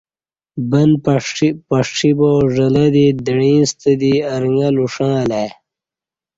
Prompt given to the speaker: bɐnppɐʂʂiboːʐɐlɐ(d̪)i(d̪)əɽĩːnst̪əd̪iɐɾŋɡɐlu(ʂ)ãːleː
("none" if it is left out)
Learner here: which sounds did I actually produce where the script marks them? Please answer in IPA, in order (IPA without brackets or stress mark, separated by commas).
d̪, d̪, ʂ